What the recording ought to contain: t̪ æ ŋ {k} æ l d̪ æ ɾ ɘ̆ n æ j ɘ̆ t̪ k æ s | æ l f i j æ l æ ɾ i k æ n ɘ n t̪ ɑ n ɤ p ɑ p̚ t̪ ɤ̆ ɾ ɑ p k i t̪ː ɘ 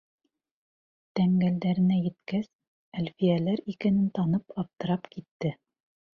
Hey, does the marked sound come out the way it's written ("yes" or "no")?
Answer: no